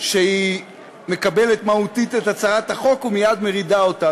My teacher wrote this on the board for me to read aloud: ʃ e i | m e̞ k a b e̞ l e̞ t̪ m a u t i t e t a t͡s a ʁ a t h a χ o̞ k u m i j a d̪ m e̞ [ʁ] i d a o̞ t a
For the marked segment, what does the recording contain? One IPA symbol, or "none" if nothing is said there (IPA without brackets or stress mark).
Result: ʁ